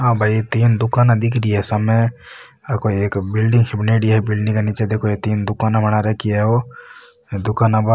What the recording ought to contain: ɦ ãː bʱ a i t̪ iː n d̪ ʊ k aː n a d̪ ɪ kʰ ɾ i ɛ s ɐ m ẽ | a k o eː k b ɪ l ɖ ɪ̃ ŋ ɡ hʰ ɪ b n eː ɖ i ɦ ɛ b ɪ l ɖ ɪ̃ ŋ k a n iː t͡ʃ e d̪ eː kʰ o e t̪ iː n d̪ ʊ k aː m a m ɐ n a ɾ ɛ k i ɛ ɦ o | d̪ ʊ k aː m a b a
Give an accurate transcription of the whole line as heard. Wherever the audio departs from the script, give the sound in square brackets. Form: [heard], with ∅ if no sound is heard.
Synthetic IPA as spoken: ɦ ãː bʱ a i t̪ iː n d̪ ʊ k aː n a d̪ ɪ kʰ ɾ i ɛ s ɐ m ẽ | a k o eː k b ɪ l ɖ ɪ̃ ŋ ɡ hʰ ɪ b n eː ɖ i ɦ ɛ b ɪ l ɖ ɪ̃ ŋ k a n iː t͡ʃ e d̪ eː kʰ o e t̪ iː n d̪ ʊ k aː [n] a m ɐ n a ɾ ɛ k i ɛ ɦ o | d̪ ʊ k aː [n] a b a